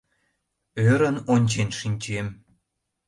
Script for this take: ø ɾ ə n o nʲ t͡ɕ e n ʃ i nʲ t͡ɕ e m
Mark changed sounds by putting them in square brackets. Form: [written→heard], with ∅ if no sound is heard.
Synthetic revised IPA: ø ɾ ə n o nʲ t͡ɕ e n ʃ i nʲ t͡ɕ e m